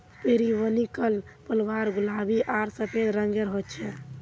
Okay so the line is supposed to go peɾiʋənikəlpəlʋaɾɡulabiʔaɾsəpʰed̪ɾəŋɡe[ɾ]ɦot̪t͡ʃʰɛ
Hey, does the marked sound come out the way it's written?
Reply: yes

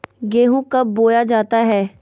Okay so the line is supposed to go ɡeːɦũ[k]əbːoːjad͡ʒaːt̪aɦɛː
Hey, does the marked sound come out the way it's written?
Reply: yes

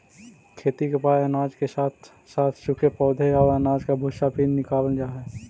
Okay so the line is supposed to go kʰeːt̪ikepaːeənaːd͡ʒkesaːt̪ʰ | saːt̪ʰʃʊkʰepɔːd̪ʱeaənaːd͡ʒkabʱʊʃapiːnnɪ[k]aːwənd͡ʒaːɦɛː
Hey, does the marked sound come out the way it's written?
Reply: yes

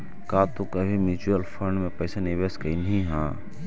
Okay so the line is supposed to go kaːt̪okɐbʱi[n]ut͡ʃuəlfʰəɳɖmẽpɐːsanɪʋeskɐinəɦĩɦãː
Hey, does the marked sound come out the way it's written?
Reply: no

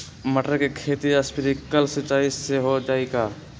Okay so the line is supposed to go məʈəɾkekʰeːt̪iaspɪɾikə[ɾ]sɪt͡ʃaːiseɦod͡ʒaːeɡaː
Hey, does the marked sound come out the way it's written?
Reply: no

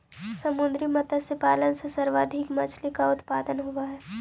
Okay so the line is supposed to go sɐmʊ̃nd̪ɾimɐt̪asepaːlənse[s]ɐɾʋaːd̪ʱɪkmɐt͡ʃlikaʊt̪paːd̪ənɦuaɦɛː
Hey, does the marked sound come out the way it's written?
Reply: yes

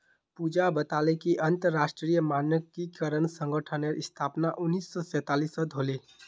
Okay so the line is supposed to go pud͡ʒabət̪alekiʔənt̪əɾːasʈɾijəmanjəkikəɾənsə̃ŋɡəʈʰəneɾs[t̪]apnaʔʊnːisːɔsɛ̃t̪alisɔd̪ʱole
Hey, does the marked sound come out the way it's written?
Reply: no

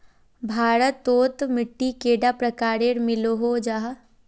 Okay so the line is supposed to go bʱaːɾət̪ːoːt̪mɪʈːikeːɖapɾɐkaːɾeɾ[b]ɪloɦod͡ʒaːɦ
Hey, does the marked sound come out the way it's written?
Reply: no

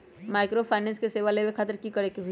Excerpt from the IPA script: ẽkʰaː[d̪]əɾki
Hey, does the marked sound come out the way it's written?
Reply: no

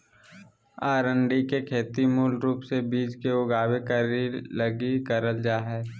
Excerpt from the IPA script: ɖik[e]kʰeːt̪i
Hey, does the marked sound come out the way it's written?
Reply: yes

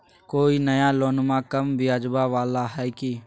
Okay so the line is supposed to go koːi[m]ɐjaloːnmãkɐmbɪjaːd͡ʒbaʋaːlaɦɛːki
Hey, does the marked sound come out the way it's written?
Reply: no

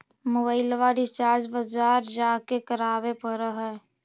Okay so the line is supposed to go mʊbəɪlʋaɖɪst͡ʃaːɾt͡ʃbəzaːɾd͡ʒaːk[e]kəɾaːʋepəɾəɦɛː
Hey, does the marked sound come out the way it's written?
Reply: yes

